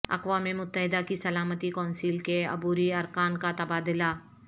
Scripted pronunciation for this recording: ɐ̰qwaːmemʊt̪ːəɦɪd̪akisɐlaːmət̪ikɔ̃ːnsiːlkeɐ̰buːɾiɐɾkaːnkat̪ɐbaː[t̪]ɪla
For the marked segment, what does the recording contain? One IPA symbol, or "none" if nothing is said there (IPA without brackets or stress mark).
d̪